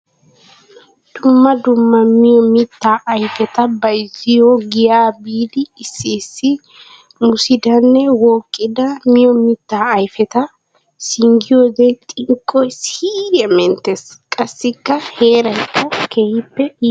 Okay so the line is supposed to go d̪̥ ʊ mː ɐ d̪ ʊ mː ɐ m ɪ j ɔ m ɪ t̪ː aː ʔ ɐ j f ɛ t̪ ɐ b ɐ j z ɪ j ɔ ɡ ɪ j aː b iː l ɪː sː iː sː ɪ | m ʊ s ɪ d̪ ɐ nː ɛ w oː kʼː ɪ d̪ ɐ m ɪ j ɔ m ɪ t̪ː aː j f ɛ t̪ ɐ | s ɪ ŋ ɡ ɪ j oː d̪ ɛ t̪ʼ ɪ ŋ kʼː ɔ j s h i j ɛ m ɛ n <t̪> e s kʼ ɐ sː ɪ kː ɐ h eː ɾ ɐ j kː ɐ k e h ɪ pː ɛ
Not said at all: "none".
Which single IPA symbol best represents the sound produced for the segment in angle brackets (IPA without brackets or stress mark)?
t̪